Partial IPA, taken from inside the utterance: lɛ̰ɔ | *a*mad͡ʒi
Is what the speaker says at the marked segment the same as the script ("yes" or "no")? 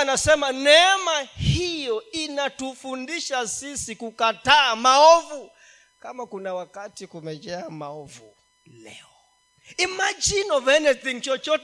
no